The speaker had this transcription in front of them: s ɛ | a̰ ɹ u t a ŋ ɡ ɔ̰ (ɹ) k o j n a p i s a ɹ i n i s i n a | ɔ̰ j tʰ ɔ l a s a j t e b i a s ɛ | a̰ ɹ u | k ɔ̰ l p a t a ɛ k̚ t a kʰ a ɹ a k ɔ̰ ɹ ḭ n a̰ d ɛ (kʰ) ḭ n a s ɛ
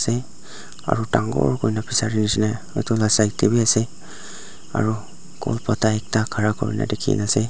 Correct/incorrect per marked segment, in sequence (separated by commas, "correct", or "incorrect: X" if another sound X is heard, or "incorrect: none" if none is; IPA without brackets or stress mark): correct, correct